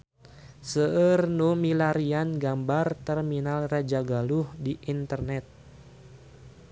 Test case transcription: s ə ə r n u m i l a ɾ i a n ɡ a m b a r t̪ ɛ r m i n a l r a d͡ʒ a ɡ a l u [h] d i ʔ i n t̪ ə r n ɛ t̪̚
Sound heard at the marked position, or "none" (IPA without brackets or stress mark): h